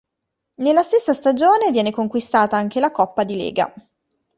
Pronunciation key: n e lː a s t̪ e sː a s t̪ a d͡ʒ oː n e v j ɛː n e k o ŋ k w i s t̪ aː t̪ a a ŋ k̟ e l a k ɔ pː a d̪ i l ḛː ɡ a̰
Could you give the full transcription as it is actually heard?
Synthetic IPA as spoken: n e lː a s t̪ e sː a s t̪ a d͡ʒ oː n e v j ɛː n e k o ŋ k w i s t̪ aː t̪ a a ŋ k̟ e l a k ɔ pː a d̪ i l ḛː ɡ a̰

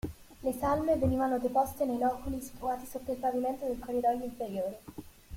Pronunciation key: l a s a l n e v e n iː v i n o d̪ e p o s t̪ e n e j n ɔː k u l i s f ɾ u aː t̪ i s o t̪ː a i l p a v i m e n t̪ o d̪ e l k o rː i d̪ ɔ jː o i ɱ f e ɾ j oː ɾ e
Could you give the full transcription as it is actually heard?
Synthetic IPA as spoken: l e s a l m e v e n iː v a n o d̪ e p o s t̪ e n e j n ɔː k u l i s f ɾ u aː t̪ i s o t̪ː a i l p a v i m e n t̪ o d̪ e l k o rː i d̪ ɔ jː o i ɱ f e ɾ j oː ɾ e

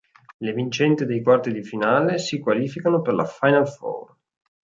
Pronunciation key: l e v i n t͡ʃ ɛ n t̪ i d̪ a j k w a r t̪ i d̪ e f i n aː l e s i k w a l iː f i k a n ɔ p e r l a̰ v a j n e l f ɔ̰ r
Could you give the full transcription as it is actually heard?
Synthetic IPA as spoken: l e v i n t͡ʃ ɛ n t̪ i d̪ e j k w a r t̪ i d̪ i f i n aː l e s i k w a l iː f i k a n o p e r l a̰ f a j n a l f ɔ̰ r

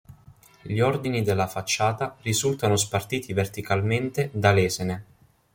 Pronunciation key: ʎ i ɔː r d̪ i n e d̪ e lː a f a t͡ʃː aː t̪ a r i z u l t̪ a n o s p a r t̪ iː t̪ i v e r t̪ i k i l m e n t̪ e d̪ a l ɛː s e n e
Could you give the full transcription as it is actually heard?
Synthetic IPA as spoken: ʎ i ɔ r d̪ i n i d̪ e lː a f a t͡ʃː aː t̪ a r i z u l t̪ a n o s p a r t̪ iː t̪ i v e r t̪ i k a l m e n t̪ e d̪ a l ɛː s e n e

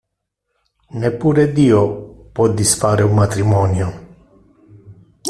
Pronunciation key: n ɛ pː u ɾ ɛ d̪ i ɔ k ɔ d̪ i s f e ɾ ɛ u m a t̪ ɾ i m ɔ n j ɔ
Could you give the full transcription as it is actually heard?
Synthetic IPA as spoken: n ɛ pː u ɾ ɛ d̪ i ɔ p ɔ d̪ i s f a ɾ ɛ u m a t̪ ɾ i m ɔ n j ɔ

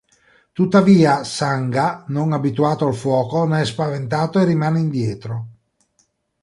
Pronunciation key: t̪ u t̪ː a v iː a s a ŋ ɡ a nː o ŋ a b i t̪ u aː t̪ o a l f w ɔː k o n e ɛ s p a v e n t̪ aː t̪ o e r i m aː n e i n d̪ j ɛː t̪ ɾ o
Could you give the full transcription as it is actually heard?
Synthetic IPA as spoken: t̪ u t̪ː a v iː a s a ŋ ɡ a n o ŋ a b i t̪ u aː t̪ o a l f w ɔː k o n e ɛ s p a v e n t̪ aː t̪ o e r i m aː n e i n d̪ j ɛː t̪ ɾ o

